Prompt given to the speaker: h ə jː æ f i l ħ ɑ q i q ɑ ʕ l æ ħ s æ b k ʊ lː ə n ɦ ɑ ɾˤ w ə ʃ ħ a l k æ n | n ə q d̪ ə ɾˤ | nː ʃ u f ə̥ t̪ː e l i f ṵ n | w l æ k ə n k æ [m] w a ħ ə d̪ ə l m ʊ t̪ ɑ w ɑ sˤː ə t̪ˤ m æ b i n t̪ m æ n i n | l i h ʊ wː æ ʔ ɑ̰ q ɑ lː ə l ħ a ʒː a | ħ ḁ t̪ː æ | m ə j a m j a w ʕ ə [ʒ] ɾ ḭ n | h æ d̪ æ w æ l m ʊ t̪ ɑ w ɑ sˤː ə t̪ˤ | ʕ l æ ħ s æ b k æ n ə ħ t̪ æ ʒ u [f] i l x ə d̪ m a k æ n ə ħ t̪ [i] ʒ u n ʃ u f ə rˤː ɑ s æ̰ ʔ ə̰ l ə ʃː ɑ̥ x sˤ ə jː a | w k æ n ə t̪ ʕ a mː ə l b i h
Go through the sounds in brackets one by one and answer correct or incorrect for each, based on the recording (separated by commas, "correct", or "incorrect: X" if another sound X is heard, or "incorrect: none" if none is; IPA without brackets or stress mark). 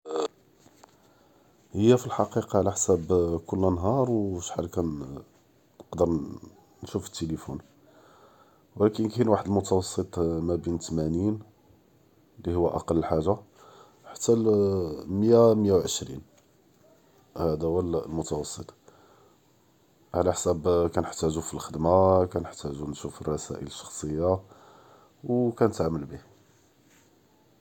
incorrect: n, incorrect: ʃ, correct, incorrect: æ